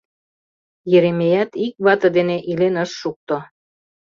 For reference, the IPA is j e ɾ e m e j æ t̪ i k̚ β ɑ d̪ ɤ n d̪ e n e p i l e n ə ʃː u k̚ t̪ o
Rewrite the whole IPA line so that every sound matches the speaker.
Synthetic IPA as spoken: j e ɾ e m e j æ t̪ i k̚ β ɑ t̪ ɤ d̪ e n e ʔ i l e n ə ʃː u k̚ t̪ o